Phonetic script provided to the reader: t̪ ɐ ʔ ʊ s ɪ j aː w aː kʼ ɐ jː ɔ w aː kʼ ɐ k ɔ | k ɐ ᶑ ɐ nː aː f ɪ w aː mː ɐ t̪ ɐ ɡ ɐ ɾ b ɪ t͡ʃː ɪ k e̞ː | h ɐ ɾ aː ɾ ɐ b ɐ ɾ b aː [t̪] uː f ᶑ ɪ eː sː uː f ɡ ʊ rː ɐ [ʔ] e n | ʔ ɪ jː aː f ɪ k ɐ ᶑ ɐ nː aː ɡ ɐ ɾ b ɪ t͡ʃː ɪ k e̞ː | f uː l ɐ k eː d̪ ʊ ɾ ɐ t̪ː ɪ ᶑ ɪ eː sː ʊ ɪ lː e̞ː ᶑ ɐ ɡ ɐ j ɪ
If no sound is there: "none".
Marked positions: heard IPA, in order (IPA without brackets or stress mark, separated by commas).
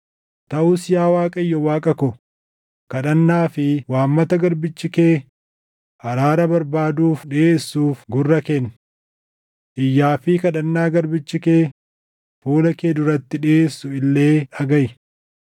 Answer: d̪, k